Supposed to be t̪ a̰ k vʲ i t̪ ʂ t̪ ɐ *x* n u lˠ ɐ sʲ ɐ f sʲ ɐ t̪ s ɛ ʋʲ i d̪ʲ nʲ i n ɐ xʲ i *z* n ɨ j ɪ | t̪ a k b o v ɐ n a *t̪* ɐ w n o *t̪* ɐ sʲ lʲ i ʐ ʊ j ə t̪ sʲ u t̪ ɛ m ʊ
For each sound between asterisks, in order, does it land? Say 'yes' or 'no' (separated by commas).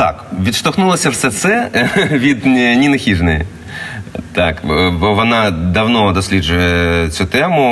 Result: yes, no, no, no